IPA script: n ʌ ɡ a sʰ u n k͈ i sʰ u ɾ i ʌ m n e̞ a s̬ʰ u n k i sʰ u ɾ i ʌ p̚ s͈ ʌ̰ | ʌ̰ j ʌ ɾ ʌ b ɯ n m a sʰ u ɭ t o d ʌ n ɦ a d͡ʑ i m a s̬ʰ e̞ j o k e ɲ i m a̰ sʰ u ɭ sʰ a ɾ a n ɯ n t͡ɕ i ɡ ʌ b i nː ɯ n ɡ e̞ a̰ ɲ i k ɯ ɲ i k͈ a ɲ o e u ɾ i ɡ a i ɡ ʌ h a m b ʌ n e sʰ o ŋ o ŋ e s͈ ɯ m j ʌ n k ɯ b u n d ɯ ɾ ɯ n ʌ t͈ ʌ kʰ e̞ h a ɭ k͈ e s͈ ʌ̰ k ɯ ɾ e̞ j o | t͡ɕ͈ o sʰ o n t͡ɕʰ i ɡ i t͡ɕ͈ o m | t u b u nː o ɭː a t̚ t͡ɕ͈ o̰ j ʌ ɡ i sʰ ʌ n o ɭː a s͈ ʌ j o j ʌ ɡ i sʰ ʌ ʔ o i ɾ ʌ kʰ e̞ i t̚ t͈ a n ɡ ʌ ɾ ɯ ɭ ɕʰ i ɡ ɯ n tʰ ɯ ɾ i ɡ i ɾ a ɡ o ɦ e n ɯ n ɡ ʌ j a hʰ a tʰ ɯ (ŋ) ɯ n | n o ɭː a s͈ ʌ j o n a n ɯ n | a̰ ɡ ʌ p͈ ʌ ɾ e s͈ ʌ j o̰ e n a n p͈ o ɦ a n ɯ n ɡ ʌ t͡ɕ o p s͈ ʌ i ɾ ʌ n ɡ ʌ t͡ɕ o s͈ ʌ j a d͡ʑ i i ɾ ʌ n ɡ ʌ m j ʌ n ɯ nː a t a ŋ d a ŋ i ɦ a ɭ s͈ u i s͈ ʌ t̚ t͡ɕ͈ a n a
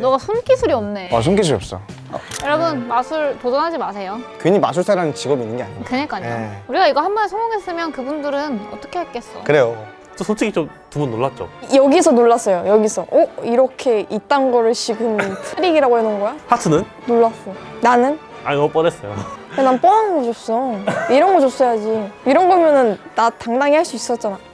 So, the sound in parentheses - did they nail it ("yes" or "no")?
no